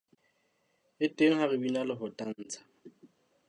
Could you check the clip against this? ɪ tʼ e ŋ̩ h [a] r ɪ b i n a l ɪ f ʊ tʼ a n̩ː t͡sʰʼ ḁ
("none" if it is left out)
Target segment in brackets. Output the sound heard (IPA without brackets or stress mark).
a